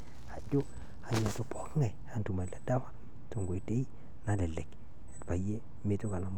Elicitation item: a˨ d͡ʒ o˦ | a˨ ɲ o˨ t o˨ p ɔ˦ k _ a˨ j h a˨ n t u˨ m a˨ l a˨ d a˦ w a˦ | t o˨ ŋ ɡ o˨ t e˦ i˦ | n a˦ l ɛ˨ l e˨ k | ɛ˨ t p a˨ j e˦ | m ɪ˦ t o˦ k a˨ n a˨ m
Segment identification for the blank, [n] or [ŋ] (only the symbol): ŋ